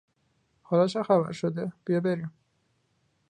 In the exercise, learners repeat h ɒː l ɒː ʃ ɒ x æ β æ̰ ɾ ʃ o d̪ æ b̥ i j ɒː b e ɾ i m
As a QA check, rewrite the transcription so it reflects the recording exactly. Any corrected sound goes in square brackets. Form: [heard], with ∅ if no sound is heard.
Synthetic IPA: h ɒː l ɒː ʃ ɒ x æ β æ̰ ɾ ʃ o d̪ [e] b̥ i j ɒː b e ɾ i m